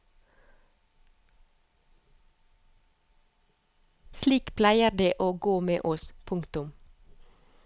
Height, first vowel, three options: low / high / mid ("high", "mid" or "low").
high